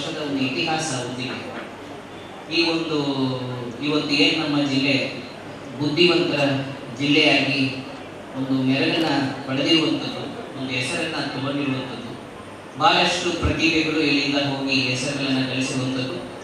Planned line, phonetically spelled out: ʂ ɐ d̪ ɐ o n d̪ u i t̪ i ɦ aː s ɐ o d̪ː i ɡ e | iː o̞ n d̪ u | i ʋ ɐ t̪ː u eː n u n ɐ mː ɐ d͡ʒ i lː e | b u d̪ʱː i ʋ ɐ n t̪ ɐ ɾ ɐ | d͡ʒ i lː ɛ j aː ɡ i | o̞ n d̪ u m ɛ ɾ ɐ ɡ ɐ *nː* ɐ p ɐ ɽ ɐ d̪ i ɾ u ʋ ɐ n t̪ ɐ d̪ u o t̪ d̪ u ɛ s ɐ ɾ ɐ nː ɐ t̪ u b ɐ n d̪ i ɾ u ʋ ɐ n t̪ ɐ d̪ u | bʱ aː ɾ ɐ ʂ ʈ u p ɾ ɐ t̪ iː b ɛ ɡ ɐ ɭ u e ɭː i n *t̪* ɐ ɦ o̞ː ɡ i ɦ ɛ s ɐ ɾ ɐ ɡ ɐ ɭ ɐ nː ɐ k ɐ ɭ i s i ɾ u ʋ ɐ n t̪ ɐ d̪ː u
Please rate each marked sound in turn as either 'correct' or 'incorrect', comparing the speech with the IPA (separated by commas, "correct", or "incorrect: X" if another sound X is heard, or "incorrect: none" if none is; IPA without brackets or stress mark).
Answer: correct, incorrect: d̪